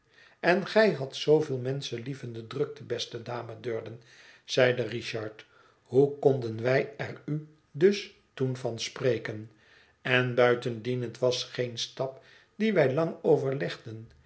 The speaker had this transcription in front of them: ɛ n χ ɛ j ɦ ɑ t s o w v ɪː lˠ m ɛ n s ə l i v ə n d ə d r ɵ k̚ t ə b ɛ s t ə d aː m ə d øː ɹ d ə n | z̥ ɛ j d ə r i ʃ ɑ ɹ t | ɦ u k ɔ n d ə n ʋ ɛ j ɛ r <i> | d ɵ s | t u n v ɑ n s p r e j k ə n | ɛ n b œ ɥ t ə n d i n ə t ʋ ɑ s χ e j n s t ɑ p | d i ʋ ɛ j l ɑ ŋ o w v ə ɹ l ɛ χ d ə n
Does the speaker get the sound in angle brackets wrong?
yes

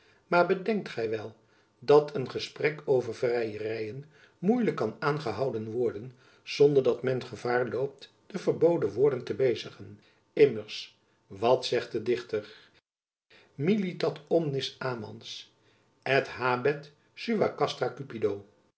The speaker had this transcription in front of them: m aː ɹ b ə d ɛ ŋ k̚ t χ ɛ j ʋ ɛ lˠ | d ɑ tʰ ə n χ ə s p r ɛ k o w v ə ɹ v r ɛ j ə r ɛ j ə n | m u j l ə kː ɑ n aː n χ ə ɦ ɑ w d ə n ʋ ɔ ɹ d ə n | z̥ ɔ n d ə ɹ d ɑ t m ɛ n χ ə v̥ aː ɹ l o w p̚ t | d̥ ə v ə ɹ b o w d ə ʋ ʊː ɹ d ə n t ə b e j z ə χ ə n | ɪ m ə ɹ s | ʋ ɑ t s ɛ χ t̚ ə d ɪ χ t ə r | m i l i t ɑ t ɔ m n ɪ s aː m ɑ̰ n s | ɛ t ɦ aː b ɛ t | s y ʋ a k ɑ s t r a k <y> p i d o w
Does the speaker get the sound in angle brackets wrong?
no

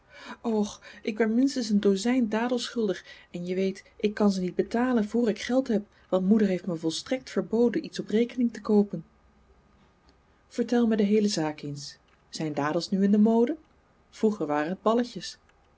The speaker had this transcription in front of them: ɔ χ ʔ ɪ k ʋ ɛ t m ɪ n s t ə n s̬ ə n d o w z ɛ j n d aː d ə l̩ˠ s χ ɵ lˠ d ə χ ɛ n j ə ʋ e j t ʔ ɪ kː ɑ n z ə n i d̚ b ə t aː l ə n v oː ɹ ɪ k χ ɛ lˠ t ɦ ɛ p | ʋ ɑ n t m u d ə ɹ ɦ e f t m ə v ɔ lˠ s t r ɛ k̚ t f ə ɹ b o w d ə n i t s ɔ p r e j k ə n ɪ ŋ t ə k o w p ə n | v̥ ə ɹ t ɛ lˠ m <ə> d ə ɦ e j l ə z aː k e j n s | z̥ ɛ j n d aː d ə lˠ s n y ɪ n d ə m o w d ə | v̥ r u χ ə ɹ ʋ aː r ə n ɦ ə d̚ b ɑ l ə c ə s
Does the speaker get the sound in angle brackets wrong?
no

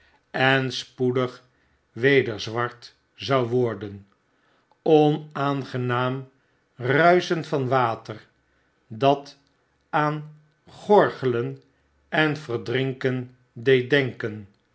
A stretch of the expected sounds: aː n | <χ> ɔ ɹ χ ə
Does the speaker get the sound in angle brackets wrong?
no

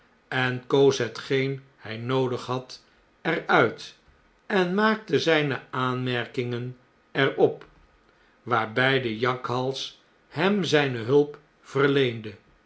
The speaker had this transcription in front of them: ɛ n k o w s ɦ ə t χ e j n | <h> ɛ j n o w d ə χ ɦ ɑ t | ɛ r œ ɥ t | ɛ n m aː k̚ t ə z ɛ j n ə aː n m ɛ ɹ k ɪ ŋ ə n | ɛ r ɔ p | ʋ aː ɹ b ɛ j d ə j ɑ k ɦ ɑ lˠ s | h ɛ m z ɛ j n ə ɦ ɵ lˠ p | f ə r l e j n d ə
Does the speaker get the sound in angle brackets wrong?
no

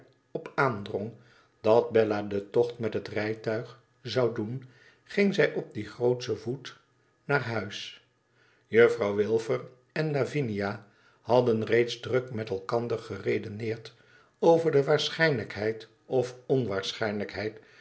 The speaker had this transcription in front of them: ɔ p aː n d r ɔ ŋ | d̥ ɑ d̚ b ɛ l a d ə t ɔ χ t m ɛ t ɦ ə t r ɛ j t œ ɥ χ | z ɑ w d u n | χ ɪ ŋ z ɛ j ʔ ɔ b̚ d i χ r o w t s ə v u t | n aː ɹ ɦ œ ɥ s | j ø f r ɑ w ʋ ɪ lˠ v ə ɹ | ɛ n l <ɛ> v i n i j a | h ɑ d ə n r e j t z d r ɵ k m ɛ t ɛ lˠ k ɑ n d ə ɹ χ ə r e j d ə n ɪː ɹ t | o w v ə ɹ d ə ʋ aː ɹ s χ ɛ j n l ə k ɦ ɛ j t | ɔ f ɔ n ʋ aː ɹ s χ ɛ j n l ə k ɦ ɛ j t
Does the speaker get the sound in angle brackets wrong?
yes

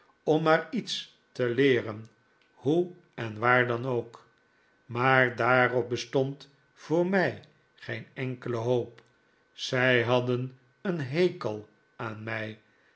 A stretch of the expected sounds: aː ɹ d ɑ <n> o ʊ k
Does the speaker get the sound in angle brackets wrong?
no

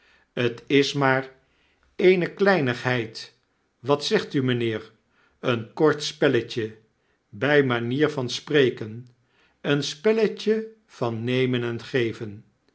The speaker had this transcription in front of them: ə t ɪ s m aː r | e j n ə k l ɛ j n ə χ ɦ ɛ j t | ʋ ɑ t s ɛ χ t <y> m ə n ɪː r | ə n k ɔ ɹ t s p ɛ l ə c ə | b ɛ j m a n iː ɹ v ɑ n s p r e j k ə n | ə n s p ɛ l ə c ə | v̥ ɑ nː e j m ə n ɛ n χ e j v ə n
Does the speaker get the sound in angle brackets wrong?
no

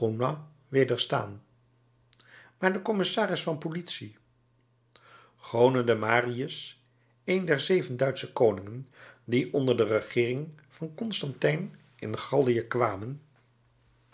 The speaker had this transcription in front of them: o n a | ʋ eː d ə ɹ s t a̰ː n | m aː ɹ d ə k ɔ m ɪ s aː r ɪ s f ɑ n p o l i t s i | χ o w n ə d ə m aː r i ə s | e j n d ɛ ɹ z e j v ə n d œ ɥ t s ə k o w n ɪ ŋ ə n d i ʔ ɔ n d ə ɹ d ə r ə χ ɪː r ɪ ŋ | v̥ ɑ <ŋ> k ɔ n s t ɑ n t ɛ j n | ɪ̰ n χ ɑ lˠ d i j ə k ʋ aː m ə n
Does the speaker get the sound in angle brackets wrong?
yes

